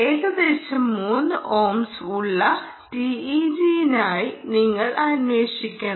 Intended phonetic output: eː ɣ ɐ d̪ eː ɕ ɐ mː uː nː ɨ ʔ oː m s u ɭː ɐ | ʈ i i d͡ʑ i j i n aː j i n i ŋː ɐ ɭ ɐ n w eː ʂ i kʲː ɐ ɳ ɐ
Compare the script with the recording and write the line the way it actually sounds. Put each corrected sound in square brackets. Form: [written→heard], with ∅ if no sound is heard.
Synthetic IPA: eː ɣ ɐ d̪ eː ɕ ɐ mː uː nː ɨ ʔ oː m s u ɭː ɐ | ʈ i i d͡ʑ i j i n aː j i n i ŋː ɐ ɭ ɐ n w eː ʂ i kʲː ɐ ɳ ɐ